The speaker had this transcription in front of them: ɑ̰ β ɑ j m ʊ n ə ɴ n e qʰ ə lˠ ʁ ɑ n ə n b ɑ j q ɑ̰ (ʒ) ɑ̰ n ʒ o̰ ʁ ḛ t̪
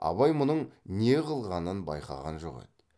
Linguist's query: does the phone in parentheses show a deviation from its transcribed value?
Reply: yes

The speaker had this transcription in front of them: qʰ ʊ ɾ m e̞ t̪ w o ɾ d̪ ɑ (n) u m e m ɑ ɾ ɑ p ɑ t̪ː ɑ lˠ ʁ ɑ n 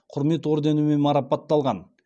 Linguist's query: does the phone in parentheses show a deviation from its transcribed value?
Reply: no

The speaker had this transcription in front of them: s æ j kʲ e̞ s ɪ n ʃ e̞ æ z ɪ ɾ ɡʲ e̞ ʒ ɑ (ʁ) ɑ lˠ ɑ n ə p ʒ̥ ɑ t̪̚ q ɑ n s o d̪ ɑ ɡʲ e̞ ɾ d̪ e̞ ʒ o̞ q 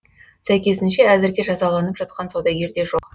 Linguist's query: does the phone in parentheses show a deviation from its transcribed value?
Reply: yes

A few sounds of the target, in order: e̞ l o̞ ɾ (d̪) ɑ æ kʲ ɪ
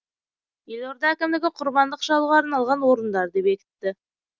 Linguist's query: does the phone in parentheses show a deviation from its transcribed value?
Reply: no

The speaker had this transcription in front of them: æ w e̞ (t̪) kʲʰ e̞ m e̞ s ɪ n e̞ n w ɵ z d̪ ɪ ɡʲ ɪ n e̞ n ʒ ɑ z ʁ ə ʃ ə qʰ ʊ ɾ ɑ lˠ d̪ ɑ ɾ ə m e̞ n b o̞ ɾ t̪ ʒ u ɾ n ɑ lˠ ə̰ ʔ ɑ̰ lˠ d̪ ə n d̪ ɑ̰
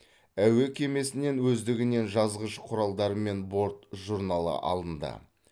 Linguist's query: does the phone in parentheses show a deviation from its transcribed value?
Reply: yes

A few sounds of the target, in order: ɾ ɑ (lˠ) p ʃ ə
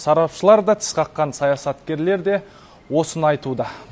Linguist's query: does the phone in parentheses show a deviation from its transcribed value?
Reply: yes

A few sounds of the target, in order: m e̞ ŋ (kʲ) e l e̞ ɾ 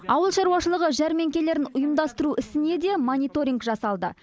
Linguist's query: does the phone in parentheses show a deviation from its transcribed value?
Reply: no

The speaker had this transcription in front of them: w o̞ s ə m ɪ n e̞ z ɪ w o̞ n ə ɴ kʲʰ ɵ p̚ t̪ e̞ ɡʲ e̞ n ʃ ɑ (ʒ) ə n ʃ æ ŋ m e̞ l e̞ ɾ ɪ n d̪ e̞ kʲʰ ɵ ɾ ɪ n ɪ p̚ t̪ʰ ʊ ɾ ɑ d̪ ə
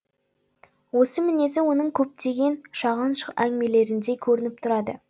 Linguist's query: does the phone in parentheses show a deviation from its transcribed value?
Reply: yes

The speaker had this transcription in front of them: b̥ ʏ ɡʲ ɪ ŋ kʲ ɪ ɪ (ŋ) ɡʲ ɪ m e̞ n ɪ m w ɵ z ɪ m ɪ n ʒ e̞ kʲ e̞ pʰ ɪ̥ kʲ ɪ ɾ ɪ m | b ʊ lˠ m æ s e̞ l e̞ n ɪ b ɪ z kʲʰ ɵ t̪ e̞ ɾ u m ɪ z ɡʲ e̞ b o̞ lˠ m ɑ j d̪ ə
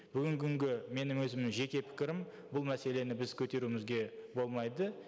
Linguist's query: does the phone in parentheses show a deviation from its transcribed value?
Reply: no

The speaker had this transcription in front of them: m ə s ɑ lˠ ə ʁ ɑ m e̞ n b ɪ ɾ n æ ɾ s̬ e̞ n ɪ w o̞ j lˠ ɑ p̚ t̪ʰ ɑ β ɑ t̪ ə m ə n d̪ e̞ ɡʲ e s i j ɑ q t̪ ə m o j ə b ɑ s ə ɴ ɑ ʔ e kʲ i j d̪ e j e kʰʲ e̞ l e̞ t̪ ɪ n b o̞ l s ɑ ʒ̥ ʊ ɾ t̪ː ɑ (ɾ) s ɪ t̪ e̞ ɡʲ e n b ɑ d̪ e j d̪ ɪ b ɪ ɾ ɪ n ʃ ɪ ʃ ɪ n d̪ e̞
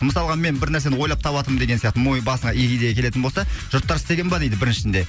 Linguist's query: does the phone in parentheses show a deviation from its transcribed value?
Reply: no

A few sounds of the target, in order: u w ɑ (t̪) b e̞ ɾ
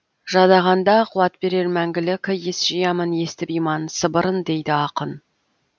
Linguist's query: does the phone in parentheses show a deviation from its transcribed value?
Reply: no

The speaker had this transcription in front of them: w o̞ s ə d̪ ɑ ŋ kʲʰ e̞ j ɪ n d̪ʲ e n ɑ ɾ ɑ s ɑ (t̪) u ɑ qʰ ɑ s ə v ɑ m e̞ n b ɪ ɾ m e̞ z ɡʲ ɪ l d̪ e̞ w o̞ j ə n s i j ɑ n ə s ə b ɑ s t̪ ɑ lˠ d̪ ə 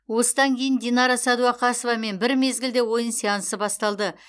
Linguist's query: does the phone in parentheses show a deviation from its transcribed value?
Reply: yes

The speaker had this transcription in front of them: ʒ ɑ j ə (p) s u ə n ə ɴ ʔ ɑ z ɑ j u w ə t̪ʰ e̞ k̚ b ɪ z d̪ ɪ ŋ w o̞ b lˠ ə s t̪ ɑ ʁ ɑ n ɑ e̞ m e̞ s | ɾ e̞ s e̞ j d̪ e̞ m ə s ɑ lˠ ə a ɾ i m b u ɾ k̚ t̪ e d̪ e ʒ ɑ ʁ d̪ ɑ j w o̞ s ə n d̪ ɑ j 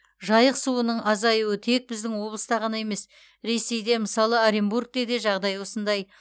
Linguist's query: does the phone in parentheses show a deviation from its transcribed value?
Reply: yes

